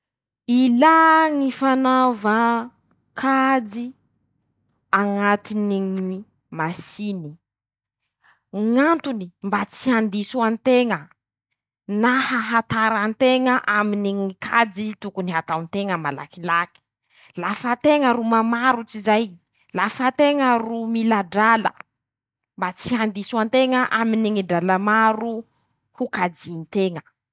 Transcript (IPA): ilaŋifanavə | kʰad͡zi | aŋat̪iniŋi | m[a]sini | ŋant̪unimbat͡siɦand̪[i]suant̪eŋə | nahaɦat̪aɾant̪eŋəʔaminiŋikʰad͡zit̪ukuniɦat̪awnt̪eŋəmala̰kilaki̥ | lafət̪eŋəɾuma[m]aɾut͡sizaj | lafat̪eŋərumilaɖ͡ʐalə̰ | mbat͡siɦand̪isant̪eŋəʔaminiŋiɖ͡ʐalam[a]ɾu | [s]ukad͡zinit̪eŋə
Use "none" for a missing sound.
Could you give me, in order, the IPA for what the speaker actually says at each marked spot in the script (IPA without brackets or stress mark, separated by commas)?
a, i, m, a, h